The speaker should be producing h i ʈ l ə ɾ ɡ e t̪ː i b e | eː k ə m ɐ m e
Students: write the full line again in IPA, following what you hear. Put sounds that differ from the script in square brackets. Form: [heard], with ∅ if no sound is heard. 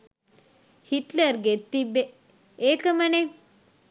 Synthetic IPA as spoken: h i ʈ l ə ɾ ɡ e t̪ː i b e | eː k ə m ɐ [n] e